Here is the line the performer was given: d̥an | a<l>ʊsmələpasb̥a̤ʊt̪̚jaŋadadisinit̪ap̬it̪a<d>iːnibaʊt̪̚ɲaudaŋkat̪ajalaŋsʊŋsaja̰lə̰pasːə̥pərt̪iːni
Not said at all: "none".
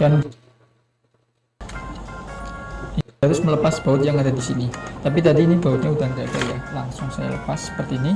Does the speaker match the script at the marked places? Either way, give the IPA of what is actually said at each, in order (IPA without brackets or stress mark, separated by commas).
ɾ, d